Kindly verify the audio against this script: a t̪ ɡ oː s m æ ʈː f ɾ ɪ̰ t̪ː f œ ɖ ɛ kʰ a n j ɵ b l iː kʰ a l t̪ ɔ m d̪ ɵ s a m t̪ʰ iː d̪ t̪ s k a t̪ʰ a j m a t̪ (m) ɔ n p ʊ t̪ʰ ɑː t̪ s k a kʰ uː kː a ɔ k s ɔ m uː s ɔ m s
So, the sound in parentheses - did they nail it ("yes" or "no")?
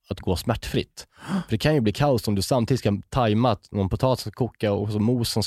no